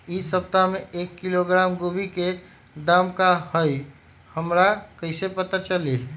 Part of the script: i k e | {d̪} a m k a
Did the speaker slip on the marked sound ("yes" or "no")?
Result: no